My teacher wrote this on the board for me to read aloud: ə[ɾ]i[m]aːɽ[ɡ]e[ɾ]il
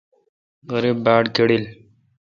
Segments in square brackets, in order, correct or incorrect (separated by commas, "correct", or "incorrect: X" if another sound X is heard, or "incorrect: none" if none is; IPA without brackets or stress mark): correct, incorrect: b, incorrect: k, incorrect: ɽ